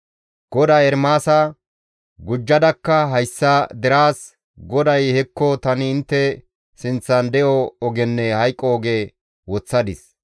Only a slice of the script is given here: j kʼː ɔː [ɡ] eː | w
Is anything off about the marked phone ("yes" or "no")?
no